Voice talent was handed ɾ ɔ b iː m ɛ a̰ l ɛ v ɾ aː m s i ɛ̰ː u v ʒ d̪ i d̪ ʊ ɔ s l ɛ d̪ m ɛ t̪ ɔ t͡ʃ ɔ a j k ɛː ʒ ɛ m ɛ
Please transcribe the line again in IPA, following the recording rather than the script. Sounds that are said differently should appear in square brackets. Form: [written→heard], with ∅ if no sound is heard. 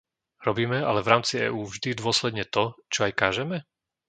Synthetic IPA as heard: ɾ ɔ b iː m ɛ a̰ l ɛ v ɾ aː m [s→t͡s] i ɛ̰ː [u→uː] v ʒ d̪ i d̪ ʊ ɔ s l ɛ d̪ [m→ɲ] ɛ t̪ ɔ t͡ʃ ɔ a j k [ɛː→aː] ʒ ɛ m ɛ